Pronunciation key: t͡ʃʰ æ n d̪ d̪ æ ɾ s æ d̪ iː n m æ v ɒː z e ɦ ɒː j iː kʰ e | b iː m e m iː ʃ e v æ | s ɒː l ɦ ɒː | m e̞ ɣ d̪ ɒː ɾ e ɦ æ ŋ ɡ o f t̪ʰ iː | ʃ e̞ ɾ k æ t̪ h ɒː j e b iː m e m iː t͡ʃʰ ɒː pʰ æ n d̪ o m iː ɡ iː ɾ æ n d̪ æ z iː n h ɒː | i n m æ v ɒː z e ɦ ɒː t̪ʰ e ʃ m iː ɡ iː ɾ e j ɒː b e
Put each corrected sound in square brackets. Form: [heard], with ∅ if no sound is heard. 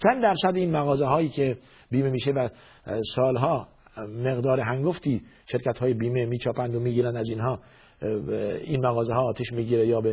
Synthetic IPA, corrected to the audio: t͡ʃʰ æ n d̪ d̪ æ ɾ s æ d̪ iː n m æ [ɣ] ɒː z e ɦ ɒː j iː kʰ e | b iː m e m iː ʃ e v æ | s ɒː l ɦ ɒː | m e̞ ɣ d̪ ɒː ɾ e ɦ æ ŋ ɡ o f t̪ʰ iː | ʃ e̞ ɾ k æ t̪ h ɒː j e b iː m e m iː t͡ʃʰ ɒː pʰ æ n d̪ o m iː ɡ iː ɾ æ n d̪ æ z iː n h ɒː | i n m æ [ɣ] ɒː z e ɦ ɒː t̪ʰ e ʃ m iː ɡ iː ɾ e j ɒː b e